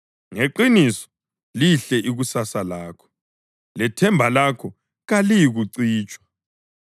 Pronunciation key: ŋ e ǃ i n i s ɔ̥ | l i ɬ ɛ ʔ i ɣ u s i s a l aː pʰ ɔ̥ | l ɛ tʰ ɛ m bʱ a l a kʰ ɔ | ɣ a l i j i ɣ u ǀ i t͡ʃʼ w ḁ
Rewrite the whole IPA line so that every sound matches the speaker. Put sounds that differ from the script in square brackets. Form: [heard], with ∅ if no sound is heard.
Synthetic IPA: ŋ e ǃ i n i s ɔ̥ | l i ɬ ɛ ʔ i ɣ u s [a] s a l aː [kʰ] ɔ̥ | l ɛ tʰ ɛ m bʱ a l a kʰ ɔ | ɣ a l i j i ɣ u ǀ [iː] t͡ʃʼ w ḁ